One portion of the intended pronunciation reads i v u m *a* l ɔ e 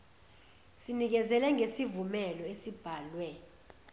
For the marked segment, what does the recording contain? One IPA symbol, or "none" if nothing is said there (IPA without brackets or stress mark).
ɛ